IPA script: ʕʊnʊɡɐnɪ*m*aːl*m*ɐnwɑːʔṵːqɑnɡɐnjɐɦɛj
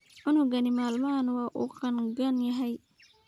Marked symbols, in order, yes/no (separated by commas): yes, yes